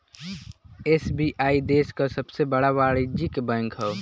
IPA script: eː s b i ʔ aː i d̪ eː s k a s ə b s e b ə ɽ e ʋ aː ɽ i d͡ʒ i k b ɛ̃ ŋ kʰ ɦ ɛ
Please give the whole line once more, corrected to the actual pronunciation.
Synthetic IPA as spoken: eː s b i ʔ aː i d̪ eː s k a s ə b s e b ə ɽ a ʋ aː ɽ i d͡ʒ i k b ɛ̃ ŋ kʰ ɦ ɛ

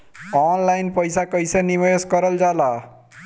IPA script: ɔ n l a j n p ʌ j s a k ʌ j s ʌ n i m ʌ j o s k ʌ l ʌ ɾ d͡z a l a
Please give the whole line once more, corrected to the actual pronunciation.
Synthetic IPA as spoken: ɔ n l a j n p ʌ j s a k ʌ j s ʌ n i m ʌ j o s k ʌ ɾ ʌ l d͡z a l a

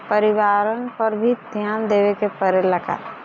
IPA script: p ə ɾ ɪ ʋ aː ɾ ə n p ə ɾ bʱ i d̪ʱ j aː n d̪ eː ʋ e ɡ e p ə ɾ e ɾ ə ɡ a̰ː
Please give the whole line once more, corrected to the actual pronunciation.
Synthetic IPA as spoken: p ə ɾ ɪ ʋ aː ɾ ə n p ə ɾ bʱ i d̪ʱ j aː n d̪ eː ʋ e k e p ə ɾ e l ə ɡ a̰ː

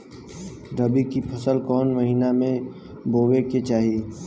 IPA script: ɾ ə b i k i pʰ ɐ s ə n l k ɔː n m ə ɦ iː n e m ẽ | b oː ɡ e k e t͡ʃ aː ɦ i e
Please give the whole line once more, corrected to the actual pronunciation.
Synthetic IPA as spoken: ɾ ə b i k i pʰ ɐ s ə l k ɔː n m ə ɦ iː n a m ẽ | b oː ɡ e k e t͡ʃ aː ɦ i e

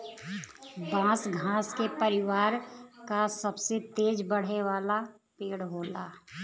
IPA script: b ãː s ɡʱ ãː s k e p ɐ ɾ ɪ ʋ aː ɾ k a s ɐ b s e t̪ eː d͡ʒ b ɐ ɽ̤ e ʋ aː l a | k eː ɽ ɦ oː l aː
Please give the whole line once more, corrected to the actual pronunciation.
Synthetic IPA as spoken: b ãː s ɡʱ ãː s k e p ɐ ɾ ɪ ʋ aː ɾ k a s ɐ b s e t̪ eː d͡ʒ b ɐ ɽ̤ e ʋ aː l a | p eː ɽ ɦ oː l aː

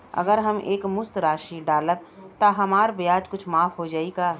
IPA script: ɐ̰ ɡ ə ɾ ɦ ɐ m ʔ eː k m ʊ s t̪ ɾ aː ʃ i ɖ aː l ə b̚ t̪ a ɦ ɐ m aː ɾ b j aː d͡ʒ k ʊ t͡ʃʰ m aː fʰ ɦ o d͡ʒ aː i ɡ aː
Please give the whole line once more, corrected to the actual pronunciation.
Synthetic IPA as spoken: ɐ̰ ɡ ə ɾ ɦ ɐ m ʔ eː k m ʊ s t̪ ɾ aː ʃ i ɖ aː l ə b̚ t̪ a ɦ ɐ m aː ɾ b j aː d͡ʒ k ʊ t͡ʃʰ m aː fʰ ɦ o d͡ʒ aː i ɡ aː

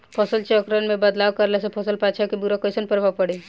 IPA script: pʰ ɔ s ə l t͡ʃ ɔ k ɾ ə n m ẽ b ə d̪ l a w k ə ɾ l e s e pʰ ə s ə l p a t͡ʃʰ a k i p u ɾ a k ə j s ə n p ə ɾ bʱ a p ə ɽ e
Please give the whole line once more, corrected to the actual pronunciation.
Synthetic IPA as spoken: pʰ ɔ s ə l t͡ʃ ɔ k ɾ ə n m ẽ b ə d̪ l a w k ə ɾ l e s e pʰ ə s ə l p a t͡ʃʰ a k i b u ɾ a k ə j s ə n p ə ɾ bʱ a p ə ɽ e

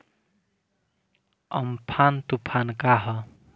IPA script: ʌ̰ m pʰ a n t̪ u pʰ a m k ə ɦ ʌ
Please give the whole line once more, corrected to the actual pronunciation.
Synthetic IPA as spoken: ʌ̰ m pʰ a n t̪ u pʰ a n k a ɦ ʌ

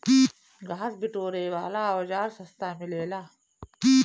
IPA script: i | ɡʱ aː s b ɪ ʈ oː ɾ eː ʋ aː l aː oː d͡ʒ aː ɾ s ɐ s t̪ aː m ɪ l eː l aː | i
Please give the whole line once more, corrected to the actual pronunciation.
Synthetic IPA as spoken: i | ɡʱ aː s b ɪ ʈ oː ɾ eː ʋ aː l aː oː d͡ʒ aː ɾ s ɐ s t̪ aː m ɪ l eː l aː | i

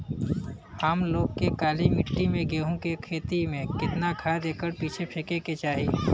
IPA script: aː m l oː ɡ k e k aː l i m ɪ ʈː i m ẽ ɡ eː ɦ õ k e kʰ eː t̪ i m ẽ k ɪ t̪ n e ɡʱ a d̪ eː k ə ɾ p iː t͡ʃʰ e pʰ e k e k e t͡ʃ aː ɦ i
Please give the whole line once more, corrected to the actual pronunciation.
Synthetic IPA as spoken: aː m l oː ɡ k e k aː l i m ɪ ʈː i m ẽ ɡ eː ɦ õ k e kʰ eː t̪ i m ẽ k ɪ t̪ n a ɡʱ a d̪ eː k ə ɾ p iː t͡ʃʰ e pʰ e k e k e t͡ʃ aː ɦ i

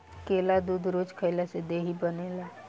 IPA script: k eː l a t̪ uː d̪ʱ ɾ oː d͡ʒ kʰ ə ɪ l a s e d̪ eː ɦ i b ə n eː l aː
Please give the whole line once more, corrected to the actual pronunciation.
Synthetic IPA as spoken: k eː l a d̪ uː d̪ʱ ɾ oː d͡ʒ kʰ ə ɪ l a s e d̪ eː ɦ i b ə n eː l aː

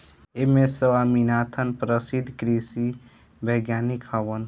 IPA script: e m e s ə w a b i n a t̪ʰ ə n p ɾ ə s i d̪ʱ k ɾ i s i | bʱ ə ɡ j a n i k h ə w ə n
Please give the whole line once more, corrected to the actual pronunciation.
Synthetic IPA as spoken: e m e s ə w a m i n a t̪ʰ ə n p ɾ ə s i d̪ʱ k ɾ i s i | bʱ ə ɡ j a n i k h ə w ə n

